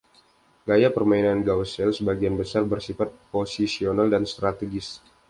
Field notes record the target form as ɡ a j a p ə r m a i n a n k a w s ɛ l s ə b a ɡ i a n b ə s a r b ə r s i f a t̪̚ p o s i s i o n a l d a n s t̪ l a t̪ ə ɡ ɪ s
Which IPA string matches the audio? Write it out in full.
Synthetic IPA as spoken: ɡ a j a p ə r m a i n a n ɡ a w s ɛ l s ə b a ɡ i a n b ə s a r b ə r s i f a t̪̚ p o s i s i o n a l d a n s t̪ ɾ a t̪ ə ɡ ɪ s

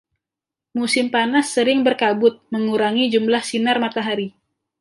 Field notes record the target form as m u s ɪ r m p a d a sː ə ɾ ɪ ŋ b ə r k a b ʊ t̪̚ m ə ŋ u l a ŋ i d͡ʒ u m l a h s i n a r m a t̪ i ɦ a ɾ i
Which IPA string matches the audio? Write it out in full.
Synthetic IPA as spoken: m u s ɪ m p a n a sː ə ɾ ɪ ŋ b ə r k a b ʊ t̪̚ m ə ŋ u ɾ a ŋ i d͡ʒ u m l a h s i n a r m a t̪ a ɦ a ɾ i

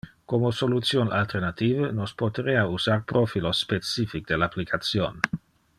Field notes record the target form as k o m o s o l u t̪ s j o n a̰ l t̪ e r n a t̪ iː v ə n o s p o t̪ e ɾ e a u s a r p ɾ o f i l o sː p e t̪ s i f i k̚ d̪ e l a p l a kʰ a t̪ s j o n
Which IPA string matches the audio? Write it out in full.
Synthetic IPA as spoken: k o m o s o l u t̪ s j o n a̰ l t̪ e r n a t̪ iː v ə n o s p o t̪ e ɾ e a u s a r p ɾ o f i l o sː p e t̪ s i f i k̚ d̪ e l a p l i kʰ a t̪ s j o n

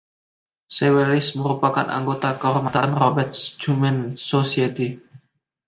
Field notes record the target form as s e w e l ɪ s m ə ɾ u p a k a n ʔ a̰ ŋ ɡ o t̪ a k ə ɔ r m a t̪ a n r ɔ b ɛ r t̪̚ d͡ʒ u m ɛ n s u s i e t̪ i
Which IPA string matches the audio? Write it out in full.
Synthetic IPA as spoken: s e w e l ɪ s m ə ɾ u p a k a n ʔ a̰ ŋ ɡ o t̪ a k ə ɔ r m a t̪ a n r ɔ b ɛ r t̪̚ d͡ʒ u m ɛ n s o s i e t̪ i

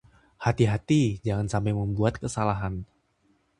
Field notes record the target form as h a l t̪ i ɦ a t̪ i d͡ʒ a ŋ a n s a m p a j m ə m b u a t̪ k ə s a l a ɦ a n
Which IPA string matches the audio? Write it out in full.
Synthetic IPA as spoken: h a t̪ i ɦ a t̪ i d͡ʒ a ŋ a n s a m p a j m ə m b u a t̪ k ə s a l a ɦ a n

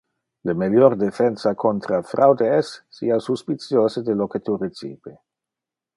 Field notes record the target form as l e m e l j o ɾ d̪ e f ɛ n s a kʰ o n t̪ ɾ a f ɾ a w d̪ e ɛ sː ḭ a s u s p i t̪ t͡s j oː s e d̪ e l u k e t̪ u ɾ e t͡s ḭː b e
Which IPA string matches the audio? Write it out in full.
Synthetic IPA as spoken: l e m e l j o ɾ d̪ e f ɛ n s a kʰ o n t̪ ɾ a f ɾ a w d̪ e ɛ sː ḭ a s u s p i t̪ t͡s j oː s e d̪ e l o k e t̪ u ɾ e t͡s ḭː b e

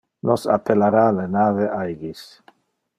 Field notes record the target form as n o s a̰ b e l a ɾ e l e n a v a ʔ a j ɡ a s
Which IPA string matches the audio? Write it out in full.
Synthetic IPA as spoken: n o s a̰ p e l a ɾ a l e n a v e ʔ a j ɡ i s

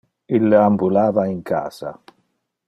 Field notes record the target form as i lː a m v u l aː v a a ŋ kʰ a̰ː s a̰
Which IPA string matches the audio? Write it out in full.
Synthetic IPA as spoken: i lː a m b u l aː v a i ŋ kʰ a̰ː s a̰

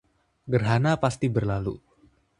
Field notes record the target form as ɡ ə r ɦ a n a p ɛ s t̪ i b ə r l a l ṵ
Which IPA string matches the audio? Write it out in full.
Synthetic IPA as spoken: ɡ ə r ɦ a n a p a s t̪ i b ə r l a l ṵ

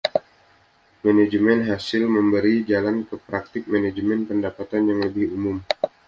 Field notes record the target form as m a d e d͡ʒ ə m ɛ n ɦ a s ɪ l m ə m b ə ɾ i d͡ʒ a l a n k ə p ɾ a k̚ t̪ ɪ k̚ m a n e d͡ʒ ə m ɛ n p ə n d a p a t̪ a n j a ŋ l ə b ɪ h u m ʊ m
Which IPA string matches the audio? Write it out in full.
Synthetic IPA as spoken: m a n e d͡ʒ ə m ɛ n ɦ a s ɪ l m ə m b ə ɾ i d͡ʒ a l a n k ə p ɾ a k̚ t̪ ɪ k̚ m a n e d͡ʒ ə m ɛ n p ə n d a p a t̪ a n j a ŋ l ə b ɪ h u m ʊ m

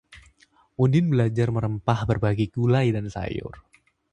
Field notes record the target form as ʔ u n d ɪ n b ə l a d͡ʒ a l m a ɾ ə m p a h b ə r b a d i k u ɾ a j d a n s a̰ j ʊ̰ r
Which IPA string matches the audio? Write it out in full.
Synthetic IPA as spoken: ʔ u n d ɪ n b ə l a d͡ʒ a r m ə ɾ ə m p a h b ə r b a ɡ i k u l a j d a n s a̰ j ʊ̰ r

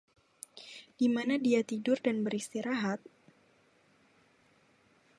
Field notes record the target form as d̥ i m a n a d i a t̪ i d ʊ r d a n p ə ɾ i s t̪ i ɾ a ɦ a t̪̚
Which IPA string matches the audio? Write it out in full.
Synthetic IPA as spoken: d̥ i m a n a d i a t̪ i d ʊ r d a n b ə ɾ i s t̪ i ɾ a ɦ a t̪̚

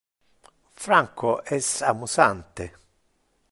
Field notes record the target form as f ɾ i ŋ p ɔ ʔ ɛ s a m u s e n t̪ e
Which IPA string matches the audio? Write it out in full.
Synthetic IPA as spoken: f ɾ a ŋ k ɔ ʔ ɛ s a m u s a n t̪ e

